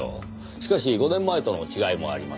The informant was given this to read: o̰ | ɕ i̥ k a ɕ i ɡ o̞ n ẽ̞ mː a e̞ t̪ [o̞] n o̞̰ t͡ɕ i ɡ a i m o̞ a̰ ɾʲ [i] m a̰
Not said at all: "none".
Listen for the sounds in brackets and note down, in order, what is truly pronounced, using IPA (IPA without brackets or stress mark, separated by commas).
o̞, i